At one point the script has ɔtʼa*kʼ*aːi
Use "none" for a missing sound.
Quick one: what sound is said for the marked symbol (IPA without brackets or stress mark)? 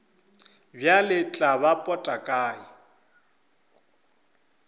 kʼ